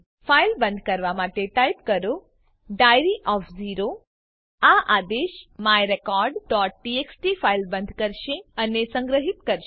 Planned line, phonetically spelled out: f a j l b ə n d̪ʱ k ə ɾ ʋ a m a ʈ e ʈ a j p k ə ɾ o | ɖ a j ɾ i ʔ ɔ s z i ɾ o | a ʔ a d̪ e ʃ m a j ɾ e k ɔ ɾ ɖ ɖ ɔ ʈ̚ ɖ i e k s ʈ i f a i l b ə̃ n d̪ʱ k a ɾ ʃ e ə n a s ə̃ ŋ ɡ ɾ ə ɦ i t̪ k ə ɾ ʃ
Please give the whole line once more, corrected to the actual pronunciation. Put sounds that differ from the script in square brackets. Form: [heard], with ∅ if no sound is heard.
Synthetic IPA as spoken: f a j l b ə n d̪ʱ k ə ɾ ʋ a m a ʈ e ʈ a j p k ə ɾ o | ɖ a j ɾ i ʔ ɔ [f] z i ɾ o | a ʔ a d̪ e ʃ m a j ɾ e k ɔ ɾ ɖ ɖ ɔ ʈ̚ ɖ i e k s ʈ i f a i l b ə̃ n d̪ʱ k [ə] ɾ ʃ e ə n [e] s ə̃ ŋ ɡ ɾ ə ɦ i t̪ k ə ɾ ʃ